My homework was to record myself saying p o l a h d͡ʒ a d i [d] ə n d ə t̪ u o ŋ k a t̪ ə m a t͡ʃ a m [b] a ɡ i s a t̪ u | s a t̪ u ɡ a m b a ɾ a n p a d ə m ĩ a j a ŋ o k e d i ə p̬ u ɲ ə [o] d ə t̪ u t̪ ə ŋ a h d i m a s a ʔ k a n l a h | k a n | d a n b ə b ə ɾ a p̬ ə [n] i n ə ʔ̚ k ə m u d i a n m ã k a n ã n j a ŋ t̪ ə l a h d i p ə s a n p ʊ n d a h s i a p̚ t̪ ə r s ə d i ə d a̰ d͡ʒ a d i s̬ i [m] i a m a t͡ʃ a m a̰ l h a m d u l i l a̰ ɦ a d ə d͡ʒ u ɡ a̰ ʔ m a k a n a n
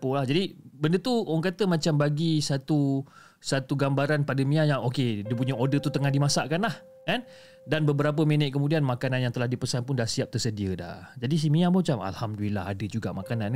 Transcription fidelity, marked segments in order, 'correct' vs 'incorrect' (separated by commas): incorrect, correct, correct, incorrect, correct